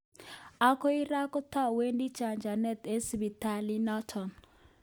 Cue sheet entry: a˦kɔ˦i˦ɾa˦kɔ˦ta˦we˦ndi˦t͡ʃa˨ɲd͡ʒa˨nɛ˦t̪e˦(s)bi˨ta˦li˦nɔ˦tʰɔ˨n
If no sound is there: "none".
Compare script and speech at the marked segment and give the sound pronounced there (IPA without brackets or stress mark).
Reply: s